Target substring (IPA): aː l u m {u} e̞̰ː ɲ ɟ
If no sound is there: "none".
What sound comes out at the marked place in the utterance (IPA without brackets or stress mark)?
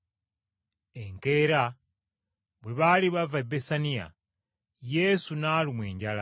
w